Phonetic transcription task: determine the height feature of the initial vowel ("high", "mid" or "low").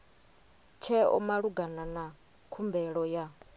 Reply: mid